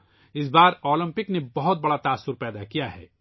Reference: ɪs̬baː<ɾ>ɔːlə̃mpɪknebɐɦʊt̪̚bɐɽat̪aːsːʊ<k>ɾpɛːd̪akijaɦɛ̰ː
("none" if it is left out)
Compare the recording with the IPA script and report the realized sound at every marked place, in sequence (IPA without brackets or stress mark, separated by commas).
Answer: ɾ, none